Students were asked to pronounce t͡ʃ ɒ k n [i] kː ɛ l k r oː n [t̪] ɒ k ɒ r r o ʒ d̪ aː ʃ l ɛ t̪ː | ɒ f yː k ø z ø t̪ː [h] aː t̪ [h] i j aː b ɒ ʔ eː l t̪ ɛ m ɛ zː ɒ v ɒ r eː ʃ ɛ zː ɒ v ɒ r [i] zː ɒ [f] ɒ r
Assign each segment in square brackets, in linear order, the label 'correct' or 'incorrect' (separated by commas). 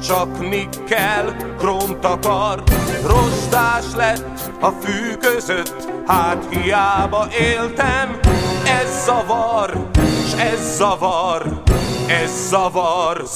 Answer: correct, correct, correct, correct, incorrect, incorrect